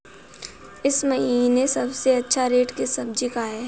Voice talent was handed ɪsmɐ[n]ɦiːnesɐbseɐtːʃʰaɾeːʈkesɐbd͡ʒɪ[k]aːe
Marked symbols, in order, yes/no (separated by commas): no, yes